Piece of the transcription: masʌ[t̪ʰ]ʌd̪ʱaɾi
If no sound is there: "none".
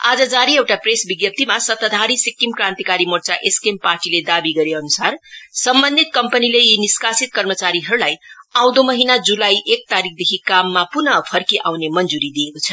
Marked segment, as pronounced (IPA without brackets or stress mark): t̪